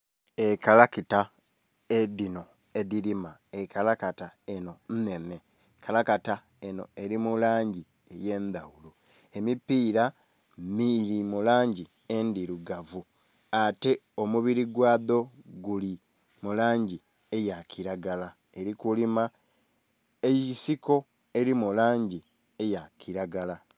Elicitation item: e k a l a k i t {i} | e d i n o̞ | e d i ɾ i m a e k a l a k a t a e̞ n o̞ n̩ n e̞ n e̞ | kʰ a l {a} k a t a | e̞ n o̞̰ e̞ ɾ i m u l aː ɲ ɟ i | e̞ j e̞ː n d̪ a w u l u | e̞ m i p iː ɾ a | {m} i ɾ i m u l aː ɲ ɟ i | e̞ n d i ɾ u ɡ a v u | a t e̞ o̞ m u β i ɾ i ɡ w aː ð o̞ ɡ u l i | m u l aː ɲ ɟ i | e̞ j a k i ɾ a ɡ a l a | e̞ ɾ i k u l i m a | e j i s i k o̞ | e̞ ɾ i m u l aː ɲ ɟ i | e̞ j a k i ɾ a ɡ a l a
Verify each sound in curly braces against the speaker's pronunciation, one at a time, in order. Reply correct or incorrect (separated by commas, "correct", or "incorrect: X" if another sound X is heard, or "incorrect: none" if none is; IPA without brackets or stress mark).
incorrect: a, correct, correct